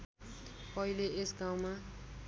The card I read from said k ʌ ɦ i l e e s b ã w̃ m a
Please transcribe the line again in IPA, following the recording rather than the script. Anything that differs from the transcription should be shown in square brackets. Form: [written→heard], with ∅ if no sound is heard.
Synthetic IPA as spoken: [k→p] ʌ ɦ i l e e s [b→ɡ] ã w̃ m a